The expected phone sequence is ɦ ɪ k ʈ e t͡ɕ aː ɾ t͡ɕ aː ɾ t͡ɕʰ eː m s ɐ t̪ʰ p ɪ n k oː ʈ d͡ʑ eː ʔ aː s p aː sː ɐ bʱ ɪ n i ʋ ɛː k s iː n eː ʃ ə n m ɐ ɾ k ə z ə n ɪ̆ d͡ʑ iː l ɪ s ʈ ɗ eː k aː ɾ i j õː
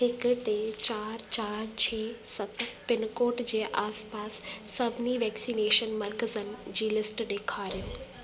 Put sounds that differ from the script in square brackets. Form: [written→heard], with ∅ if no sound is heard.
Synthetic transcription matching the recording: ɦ ɪ k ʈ e t͡ɕ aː ɾ t͡ɕ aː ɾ t͡ɕʰ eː [m→∅] s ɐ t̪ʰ p ɪ n k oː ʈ d͡ʑ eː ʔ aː s p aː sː ɐ bʱ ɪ n i ʋ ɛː k s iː n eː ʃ ə n m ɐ ɾ k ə z ə n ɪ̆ d͡ʑ iː l ɪ s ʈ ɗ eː [k→kʰ] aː ɾ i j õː